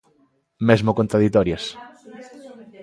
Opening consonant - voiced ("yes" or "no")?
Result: yes